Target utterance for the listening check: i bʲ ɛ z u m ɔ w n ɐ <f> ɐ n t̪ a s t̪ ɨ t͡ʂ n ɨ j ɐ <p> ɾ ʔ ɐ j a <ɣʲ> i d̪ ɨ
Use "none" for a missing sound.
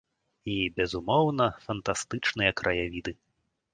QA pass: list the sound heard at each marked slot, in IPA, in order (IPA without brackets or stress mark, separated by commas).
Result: f, k, vʲ